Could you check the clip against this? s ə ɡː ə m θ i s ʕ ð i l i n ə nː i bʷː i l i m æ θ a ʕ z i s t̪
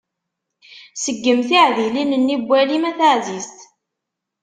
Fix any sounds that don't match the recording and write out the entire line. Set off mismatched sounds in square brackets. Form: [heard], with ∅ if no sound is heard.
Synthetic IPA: s ə ɡː ə m θ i [∅] ʕ ð i l i n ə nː i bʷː [æ] l i m æ θ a ʕ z i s t̪